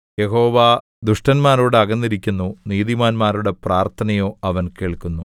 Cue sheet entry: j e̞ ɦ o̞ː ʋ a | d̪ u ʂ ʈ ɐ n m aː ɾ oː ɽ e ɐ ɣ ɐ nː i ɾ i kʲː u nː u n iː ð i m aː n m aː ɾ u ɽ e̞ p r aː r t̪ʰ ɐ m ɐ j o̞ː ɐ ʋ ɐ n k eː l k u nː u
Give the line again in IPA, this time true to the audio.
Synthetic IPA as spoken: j e̞ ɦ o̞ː ʋ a | d̪ u ʂ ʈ ɐ n m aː ɾ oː ɽ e ɐ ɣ ɐ nː i ɾ i kʲː u nː u n iː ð i m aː n m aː ɾ u ɽ e̞ p r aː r t̪ʰ ɐ n ɐ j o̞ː ɐ ʋ ɐ n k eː ɭ k u nː u